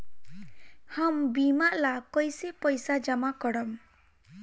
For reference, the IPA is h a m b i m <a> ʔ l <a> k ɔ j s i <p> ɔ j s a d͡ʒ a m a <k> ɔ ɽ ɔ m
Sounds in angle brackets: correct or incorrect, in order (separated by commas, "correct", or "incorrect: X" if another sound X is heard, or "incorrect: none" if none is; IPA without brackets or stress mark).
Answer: correct, correct, correct, correct